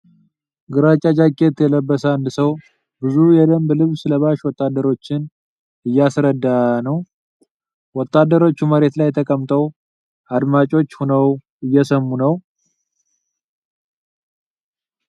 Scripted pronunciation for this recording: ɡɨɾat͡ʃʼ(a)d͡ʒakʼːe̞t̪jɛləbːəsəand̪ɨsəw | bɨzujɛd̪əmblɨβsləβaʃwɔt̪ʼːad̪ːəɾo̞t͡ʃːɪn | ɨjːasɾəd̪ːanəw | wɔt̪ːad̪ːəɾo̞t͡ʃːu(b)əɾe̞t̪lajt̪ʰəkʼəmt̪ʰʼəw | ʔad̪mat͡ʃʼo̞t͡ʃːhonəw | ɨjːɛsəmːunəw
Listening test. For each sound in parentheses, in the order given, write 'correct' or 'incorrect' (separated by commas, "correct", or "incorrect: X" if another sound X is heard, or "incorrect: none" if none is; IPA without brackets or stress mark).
correct, incorrect: m